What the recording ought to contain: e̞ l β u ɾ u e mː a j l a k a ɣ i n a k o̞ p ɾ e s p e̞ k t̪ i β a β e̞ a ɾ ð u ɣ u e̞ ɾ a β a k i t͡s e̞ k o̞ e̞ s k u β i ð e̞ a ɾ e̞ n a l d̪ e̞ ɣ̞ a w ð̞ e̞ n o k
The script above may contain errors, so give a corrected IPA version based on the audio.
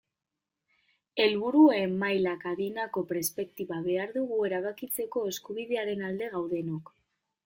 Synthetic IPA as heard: e̞ l β u ɾ u e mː a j l a k a ð i n a k o̞ p ɾ e s p e̞ k t̪ i β a β e̞ a ɾ ð u ɣ u e̞ ɾ a β a k i t͡s e̞ k o̞ e̞ s k u β i ð e̞ a ɾ e̞ n a l d̪ e̞ ɣ̞ a w ð̞ e̞ n o k